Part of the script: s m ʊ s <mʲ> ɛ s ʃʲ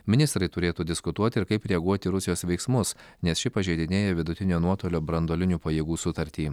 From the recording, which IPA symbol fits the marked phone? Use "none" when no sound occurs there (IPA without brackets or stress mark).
nʲ